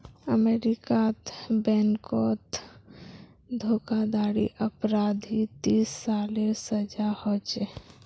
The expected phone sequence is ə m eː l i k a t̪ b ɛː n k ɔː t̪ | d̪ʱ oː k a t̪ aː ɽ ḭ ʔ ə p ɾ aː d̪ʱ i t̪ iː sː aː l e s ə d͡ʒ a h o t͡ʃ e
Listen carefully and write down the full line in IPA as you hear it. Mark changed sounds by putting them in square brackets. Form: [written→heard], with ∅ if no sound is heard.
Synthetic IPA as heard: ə m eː [l→ɾ] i k a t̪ b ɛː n k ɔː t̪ | d̪ʱ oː k a [t̪→d̪] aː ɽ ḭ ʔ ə p ɾ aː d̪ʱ i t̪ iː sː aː l e s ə d͡ʒ a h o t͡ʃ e

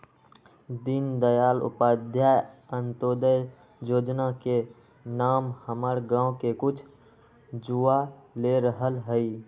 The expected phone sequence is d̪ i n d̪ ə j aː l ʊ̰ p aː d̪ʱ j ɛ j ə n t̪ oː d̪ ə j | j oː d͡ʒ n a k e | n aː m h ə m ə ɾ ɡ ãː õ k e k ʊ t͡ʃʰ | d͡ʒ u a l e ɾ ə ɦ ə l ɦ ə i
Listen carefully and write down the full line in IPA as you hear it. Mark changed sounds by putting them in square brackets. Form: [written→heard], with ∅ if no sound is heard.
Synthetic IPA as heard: d̪ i n d̪ ə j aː l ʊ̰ p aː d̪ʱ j [ɛ→a] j ə n t̪ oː d̪ ə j | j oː d͡ʒ n a k e | n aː m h ə m ə ɾ ɡ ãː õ k e k ʊ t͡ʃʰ | d͡ʒ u a l e ɾ ə ɦ ə l ɦ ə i

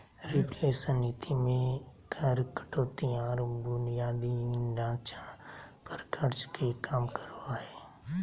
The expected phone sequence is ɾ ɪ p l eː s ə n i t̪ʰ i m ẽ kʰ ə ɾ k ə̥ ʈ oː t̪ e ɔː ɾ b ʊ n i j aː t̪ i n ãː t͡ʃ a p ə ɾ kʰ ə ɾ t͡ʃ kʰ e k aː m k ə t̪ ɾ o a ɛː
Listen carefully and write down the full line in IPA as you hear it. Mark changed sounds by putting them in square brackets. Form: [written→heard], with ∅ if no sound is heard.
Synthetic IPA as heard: ɾ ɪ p l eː s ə n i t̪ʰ i m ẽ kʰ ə ɾ k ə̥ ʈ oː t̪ [e→i] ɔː ɾ b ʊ n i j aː [t̪→d̪] i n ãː t͡ʃ a p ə ɾ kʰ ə ɾ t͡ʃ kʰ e k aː m k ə [t̪→∅] ɾ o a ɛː

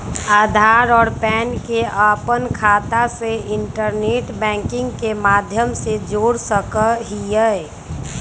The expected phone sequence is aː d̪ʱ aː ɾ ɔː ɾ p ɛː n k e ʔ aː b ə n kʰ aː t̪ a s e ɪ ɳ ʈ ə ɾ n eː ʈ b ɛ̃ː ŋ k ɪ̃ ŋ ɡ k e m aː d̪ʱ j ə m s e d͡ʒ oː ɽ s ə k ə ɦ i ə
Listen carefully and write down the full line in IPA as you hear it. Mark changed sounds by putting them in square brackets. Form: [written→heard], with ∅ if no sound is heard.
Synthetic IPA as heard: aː d̪ʱ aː ɾ ɔː ɾ p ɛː n k e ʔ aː [b→p] ə n kʰ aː t̪ a s e ɪ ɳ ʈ ə ɾ n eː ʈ b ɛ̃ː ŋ k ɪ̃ ŋ ɡ k e m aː d̪ʱ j ə m s e d͡ʒ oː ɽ s ə k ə ɦ i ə

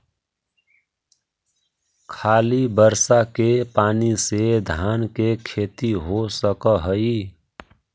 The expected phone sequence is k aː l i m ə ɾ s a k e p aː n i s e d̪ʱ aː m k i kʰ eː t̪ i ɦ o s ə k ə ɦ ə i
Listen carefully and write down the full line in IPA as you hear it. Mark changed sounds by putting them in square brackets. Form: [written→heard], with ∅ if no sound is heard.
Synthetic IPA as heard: [k→kʰ] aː l i [m→b] ə ɾ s a k e p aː n i s e d̪ʱ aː [m→n] k [i→e] kʰ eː t̪ i ɦ o s ə k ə ɦ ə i

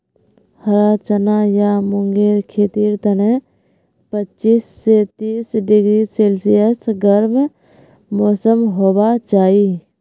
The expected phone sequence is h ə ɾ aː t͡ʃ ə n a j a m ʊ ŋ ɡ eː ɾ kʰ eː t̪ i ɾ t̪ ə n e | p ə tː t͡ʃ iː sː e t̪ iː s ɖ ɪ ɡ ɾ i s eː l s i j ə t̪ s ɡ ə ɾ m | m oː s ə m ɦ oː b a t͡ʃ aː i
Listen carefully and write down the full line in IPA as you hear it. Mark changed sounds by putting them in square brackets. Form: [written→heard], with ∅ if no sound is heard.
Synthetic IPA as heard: h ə ɾ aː t͡ʃ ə n a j a m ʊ ŋ ɡ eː ɾ kʰ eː t̪ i ɾ t̪ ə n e | p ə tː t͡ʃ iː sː e t̪ iː s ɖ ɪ ɡ ɾ i s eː l s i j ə [t̪→∅] s ɡ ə ɾ m | m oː s ə m ɦ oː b a t͡ʃ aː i

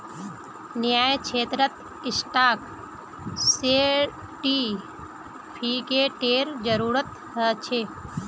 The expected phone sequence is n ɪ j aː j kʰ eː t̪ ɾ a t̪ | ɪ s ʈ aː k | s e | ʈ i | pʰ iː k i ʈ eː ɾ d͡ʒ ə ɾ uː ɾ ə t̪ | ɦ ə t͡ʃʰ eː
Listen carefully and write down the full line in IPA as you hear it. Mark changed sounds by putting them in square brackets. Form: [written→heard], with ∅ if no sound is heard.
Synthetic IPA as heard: n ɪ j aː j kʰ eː t̪ ɾ [a→ə] t̪ | ɪ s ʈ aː k | s e | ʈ i | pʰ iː k [i→e] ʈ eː ɾ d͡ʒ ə ɾ uː ɾ ə t̪ | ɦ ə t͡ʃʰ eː

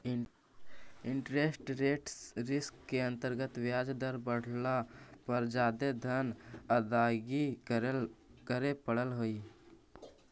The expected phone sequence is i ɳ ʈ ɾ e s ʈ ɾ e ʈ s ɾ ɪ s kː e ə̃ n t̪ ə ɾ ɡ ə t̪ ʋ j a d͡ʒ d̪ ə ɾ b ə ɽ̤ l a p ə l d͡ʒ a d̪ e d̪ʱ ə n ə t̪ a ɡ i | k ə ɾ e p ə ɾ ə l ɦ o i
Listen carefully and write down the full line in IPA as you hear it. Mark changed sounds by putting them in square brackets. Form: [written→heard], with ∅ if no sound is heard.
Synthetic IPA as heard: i ɳ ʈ ɾ e s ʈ ɾ e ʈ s ɾ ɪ s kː e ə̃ n t̪ ə ɾ ɡ ə t̪ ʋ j a d͡ʒ d̪ ə ɾ b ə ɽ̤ l a p ə [l→ɾ] d͡ʒ a d̪ e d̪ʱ ə n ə [t̪→d̪] a ɡ i | k ə ɾ e p ə [ɾ→ɽ] ə l ɦ o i

